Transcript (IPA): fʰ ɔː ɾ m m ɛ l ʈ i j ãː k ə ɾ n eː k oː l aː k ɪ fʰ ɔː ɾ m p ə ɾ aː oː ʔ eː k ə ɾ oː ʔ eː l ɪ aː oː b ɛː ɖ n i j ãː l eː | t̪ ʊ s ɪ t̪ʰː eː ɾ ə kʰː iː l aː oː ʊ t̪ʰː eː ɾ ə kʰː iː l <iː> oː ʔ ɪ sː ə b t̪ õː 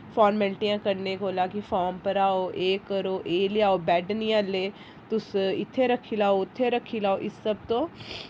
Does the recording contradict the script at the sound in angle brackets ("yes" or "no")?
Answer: yes